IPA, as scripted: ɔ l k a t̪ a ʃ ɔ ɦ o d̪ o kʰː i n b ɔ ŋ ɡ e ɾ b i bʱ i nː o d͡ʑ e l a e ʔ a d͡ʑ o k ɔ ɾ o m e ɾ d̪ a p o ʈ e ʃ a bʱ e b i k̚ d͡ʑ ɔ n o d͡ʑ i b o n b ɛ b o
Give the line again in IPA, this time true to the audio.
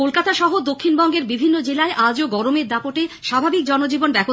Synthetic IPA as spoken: o l k a t̪ a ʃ ɔ ɦ o d̪ o kʰː i n b ɔ ŋ ɡ e ɾ b i bʱ i nː o d͡ʑ e l a e ʔ a d͡ʑ o ɡ ɔ ɾ o m e ɾ d̪ a p o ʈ e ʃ a bʱ a b i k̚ d͡ʑ ɔ n o d͡ʑ i b o n b ɛ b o

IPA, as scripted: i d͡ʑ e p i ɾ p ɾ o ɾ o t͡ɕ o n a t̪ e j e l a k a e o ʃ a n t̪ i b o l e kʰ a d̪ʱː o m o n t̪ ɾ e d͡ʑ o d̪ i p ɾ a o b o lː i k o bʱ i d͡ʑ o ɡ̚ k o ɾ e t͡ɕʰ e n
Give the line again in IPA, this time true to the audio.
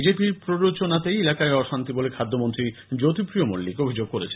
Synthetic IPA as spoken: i d͡ʑ e p i ɾ p ɾ o ɾ o t͡ɕ o n a t̪ e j e l a k a e ɔ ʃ a n t̪ i b o l e kʰ a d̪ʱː o m o n t̪ ɾ i d͡ʑ o t̪ i p ɾ i o m o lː i k o bʱ i d͡ʑ o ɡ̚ k o ɾ e t͡ɕʰ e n

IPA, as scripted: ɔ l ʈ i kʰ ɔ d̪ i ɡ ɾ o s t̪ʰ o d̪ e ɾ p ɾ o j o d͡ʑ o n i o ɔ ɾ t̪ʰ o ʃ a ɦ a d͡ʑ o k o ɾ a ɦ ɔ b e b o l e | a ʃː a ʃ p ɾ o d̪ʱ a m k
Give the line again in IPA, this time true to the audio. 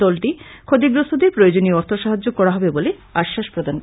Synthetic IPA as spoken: ɔ l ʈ i kʰ o d̪ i ɡ ɾ o s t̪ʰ o d̪ e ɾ p ɾ o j o d͡ʑ o n i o ɔ ɾ t̪ʰ o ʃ a ɦ a d͡ʑ o k ɔ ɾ a ɦ ɔ b e b o l e | a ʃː a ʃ p ɾ o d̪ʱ a n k

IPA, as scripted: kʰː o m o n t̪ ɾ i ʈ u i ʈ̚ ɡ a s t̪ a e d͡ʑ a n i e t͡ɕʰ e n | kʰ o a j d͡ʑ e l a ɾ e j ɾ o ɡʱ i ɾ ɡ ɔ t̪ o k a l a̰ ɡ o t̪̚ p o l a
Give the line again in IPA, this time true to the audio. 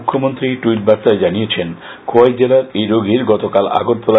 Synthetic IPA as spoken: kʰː o m o n t̪ ɾ i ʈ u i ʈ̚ b a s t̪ a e d͡ʑ a n i e t͡ɕʰ e n | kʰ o a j d͡ʑ e l a ɾ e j ɾ o ɡʱ i ɾ ɡ ɔ t̪ o k a l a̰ ɡ o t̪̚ p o l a

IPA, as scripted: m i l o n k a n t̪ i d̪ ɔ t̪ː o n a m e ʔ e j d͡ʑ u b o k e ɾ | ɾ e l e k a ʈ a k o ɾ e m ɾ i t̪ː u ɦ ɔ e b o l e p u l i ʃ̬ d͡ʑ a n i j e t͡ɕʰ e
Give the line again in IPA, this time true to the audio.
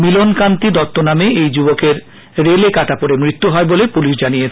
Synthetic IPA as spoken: m i l o n k a n t̪ i d̪ ɔ t̪ː o n a m e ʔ e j d͡ʑ u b o k e ɾ | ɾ e l e k a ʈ a p o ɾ e m ɾ i t̪ː u ɦ ɔ e b o l e p u l i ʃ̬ d͡ʑ a n i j e t͡ɕʰ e

